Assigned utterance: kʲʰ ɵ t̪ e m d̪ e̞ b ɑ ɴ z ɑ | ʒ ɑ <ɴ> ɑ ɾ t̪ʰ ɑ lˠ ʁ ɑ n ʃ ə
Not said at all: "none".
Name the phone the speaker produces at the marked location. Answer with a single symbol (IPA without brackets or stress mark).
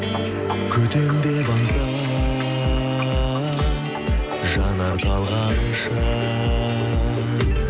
n